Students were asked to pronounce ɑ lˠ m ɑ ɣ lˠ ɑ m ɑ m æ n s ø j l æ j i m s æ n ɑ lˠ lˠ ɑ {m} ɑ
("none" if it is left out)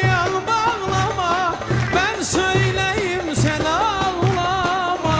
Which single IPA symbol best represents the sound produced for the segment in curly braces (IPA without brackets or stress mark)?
m